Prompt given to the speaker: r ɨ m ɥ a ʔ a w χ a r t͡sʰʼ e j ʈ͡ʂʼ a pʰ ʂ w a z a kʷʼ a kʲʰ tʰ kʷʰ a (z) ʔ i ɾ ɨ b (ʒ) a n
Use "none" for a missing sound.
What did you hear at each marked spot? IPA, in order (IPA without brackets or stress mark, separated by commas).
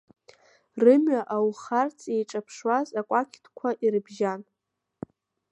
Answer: none, ʒ